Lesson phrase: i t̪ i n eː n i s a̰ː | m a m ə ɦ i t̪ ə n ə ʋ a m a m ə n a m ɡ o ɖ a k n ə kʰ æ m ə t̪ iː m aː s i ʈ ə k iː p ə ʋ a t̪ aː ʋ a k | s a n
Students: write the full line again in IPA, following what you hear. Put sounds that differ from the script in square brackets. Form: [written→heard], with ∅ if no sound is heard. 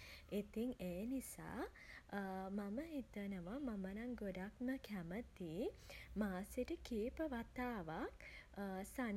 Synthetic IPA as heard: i t̪ i [n→ŋ] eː n i s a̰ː | m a m ə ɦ i t̪ ə n ə ʋ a m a m ə n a [m→ŋ] ɡ o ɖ a k [n→m] ə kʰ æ m ə t̪ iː m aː s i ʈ ə k iː p ə ʋ a t̪ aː ʋ a k | s a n